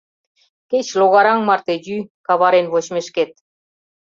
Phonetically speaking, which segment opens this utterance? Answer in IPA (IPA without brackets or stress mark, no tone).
k